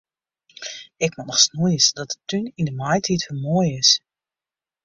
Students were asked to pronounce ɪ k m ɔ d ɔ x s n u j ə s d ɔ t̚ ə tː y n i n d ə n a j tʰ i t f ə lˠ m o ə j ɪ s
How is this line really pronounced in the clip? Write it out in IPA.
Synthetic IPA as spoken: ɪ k m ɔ n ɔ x s n u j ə s d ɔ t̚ ə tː y n i n d ə m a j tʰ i t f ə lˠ m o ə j ɪ s